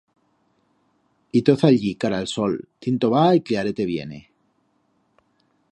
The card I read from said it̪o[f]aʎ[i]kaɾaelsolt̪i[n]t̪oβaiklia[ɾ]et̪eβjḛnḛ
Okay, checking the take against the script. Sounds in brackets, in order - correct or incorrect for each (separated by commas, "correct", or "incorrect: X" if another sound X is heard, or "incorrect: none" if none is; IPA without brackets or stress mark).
incorrect: θ, correct, correct, correct